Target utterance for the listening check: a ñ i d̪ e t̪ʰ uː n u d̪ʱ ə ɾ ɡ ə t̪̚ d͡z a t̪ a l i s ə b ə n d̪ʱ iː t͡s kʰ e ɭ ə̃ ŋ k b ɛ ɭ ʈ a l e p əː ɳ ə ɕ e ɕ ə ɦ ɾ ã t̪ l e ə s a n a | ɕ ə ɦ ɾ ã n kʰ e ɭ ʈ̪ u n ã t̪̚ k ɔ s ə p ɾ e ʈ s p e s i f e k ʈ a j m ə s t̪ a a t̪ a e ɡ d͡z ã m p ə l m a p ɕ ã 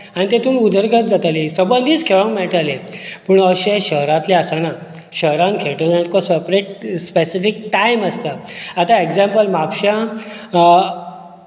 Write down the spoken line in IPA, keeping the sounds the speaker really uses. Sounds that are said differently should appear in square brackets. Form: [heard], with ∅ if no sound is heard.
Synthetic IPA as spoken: a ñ i [t̪] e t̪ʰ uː n u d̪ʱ ə ɾ ɡ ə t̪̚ d͡z a t̪ a l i s ə b ə n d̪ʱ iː t͡s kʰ e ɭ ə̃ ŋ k [m] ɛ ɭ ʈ a l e p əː ɳ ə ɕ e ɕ ə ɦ ɾ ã t̪ l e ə s a n a | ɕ ə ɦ ɾ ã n kʰ e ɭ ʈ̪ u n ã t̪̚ k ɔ s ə p ɾ e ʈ s p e s i f [i] k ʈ a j m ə s t̪ a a t̪ a e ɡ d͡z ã m p ə l m a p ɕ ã